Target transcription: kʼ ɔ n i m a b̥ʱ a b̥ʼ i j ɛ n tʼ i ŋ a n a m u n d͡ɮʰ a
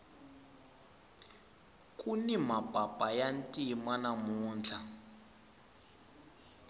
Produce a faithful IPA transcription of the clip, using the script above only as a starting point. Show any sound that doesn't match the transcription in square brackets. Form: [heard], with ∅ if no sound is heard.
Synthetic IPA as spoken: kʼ [u] n i m a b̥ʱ a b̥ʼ [a] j [a] n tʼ i [m] a n a m [uː] n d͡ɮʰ a